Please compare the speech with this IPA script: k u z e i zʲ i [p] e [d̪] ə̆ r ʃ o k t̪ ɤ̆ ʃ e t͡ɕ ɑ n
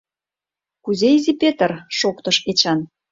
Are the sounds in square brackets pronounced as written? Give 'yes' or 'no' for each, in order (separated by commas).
yes, no